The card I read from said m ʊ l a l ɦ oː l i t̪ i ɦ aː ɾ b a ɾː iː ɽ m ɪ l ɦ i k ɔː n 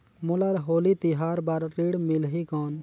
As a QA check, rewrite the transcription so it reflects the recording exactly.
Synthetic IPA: m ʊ l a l ɦ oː l i t̪ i ɦ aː ɾ b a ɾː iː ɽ m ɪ l ɦ i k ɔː n